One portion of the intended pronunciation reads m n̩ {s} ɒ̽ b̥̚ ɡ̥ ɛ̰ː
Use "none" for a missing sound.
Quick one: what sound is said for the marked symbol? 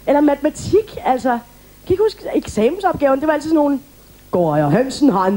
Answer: s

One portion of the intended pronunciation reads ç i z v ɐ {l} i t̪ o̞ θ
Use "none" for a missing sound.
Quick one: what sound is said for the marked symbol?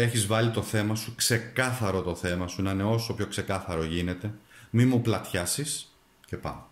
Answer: l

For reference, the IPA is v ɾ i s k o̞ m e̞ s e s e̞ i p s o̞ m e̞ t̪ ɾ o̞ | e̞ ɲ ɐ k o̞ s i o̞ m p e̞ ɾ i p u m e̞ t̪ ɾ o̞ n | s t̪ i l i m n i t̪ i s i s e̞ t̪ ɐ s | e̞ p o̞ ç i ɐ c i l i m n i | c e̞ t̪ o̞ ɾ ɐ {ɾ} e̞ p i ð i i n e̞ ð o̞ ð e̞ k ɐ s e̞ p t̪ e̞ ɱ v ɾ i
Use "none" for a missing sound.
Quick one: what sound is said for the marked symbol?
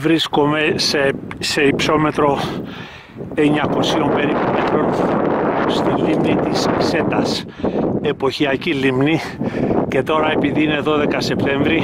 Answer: none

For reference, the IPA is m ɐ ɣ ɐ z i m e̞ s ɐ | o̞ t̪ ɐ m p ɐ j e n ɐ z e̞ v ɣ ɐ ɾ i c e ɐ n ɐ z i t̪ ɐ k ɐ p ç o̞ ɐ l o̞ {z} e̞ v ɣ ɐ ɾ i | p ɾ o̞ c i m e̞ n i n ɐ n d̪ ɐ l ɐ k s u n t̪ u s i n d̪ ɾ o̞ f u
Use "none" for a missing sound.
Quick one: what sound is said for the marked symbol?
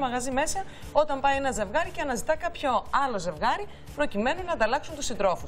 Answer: z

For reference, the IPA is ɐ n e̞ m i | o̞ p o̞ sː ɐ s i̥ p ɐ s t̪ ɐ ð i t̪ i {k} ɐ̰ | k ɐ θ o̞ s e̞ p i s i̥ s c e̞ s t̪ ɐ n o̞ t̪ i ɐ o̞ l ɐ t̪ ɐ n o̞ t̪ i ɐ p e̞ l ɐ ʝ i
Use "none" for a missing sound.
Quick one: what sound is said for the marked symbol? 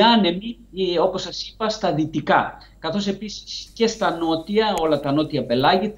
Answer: k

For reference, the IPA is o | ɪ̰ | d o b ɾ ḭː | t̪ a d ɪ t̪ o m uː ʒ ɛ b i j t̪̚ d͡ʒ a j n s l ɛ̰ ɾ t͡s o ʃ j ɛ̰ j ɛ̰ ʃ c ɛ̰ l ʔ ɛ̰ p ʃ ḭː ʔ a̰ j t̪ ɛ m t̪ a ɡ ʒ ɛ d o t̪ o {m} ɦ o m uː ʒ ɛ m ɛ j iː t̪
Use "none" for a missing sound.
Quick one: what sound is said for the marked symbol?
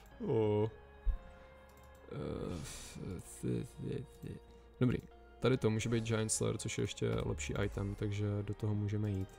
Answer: none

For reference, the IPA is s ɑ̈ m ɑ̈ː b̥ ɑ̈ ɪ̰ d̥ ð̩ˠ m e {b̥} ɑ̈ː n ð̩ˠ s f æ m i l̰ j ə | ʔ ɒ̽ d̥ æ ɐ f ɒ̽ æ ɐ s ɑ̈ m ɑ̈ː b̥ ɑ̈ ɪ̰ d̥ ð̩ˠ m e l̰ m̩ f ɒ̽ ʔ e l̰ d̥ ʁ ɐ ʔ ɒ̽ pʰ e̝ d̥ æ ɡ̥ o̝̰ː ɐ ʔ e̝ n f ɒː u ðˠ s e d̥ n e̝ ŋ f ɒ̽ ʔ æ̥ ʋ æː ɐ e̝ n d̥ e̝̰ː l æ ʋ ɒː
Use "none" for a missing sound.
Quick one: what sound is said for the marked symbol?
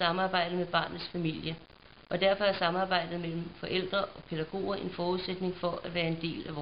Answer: b̥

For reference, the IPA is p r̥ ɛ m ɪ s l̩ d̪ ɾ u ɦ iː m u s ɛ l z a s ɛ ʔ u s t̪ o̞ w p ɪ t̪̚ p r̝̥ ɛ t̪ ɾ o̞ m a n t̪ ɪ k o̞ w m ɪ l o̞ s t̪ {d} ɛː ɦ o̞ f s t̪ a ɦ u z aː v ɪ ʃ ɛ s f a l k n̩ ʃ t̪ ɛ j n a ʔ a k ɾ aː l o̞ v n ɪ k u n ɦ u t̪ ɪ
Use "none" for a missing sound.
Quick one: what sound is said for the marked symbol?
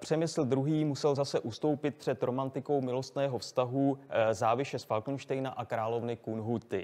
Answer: n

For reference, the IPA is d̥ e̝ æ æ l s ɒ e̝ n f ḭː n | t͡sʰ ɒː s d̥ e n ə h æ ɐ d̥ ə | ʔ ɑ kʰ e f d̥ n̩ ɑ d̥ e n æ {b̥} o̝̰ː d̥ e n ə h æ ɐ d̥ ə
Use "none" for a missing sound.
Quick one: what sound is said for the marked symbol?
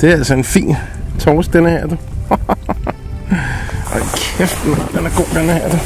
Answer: ɡ̥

